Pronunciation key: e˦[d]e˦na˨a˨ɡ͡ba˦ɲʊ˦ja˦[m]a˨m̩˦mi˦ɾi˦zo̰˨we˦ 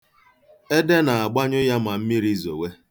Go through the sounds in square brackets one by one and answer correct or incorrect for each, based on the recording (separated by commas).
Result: correct, correct